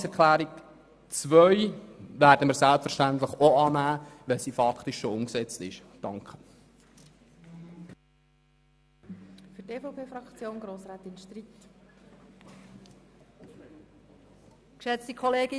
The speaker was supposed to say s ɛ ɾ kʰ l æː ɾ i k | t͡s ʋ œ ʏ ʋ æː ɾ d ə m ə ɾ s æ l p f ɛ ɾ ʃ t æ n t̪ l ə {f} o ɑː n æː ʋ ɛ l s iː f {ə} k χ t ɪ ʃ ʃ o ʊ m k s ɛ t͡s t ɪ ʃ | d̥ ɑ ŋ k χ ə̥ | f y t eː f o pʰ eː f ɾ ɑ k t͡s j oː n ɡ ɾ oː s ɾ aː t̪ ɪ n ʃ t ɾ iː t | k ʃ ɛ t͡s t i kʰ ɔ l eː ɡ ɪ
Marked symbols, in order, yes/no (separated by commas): no, no